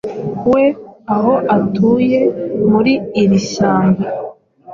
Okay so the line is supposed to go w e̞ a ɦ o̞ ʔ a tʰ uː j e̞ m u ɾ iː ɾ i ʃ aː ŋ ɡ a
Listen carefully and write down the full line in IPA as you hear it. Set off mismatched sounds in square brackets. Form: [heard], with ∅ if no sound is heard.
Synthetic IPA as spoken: w e̞ a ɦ o̞ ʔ a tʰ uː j e̞ m u ɾ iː ɾ i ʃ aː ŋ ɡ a